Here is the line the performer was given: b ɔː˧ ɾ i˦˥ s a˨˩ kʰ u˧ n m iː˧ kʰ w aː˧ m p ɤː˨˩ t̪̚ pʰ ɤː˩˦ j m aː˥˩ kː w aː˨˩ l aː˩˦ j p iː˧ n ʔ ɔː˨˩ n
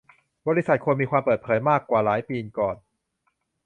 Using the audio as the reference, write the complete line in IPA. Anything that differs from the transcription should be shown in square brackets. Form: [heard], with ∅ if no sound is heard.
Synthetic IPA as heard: b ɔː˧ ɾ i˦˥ s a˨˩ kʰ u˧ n m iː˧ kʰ w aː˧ m p ɤː˨˩ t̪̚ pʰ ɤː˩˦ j m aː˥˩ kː w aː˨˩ l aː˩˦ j p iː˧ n [k] ɔː˨˩ n